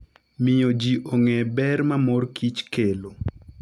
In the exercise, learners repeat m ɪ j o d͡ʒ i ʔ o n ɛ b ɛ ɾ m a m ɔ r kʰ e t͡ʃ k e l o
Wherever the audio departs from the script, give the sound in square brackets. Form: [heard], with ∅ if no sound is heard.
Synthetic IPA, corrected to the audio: m ɪ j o d͡ʒ i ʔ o [ŋ] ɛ b ɛ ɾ m a m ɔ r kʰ [i] t͡ʃ k e l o